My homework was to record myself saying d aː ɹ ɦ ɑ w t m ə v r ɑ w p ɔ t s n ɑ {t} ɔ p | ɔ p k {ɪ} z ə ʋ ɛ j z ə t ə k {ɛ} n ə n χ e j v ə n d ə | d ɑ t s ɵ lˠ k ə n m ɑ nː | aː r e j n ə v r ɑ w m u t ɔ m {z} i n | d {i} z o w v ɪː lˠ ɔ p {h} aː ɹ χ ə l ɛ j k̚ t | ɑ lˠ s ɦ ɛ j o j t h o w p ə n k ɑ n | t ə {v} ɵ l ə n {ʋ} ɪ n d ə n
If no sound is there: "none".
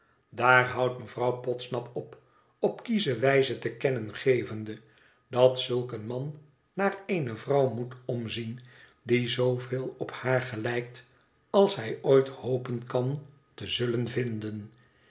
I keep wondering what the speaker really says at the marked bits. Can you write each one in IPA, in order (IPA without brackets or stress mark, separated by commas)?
p, i, ɛ, z, i, h, z, v